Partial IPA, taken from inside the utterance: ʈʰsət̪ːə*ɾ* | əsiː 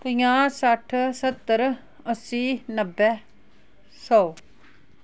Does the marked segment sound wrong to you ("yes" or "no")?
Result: no